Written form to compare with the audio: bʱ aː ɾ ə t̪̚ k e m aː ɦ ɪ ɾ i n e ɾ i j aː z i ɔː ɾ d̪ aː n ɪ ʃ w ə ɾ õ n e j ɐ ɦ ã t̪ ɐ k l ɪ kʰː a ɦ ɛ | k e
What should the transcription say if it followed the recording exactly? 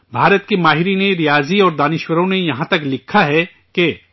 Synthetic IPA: bʱ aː ɾ ə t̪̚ k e m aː ɦ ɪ ɾ i n e ɾ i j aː z i ɔː ɾ d̪ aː n ɪ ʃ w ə ɾ õ n e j ɐ ɦ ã t̪ ɐ k l ɪ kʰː a ɦ ɛ | k e